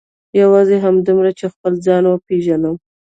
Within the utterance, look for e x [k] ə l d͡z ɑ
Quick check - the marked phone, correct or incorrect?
incorrect